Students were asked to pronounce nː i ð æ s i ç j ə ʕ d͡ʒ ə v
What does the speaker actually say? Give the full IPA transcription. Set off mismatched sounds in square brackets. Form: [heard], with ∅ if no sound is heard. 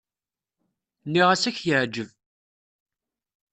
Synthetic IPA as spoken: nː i [ʁ] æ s [æ] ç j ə ʕ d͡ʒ ə v